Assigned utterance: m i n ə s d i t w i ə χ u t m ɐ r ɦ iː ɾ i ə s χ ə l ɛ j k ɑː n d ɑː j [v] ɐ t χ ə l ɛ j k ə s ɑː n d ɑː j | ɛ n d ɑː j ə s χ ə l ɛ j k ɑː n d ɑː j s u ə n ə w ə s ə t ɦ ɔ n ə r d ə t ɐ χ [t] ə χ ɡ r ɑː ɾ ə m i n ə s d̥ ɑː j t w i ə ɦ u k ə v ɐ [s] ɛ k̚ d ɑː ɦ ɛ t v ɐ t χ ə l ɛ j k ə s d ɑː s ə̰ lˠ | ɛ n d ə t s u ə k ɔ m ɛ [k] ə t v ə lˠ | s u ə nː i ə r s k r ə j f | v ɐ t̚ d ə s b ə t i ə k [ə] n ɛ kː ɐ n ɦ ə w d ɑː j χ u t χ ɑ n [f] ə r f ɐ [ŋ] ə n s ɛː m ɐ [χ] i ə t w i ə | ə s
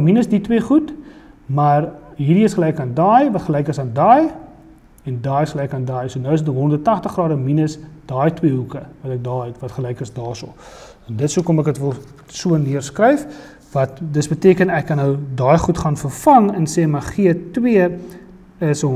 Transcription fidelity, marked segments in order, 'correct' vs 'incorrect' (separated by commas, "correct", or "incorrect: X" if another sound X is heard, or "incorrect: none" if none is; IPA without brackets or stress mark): correct, correct, incorrect: t, correct, correct, correct, correct, correct